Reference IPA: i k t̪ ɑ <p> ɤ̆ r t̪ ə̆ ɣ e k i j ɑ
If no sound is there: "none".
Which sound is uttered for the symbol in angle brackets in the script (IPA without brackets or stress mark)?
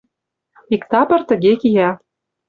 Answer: p